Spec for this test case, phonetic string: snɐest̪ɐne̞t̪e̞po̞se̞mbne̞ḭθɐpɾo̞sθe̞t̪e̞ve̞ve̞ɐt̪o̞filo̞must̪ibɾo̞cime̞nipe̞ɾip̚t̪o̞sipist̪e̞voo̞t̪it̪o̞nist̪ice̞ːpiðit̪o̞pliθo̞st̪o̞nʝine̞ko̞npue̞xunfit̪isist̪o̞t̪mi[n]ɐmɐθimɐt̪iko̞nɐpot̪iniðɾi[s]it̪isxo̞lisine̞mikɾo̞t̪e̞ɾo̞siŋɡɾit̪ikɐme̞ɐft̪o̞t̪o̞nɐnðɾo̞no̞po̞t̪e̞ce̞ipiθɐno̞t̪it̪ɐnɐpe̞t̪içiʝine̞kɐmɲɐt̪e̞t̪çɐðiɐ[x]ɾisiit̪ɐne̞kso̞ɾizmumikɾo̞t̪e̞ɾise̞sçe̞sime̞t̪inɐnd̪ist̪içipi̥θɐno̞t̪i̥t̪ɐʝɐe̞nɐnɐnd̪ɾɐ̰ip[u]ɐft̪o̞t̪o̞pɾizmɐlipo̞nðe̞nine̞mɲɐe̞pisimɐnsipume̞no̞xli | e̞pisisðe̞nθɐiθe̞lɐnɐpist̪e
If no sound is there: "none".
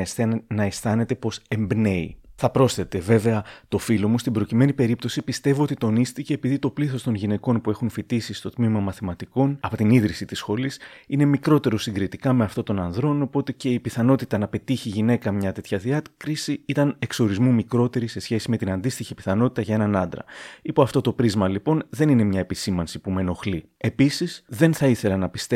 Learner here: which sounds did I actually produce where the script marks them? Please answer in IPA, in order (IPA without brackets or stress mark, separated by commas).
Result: m, s, k, o